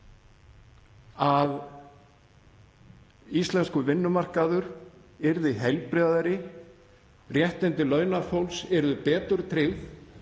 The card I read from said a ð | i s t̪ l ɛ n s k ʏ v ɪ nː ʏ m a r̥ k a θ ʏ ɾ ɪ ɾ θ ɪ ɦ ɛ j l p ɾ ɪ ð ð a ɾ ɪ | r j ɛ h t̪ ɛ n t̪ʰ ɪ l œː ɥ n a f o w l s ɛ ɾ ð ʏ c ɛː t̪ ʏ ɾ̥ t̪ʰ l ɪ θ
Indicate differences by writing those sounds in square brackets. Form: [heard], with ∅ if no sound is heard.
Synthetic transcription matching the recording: a ð | i s t̪ l ɛ n s k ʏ v ɪ nː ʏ m a r̥ k a [ð] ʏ ɾ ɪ ɾ [ð] ɪ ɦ ɛ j l p ɾ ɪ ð ð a ɾ ɪ | r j ɛ h t̪ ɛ n [t̪] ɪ l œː ɥ n a f o w l s ɛ ɾ ð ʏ [p] ɛː t̪ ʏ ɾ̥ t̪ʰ [ɾ] ɪ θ